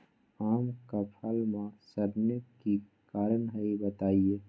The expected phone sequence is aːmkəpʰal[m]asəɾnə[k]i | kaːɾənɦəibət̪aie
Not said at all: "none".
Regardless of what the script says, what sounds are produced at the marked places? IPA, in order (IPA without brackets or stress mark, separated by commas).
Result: m, k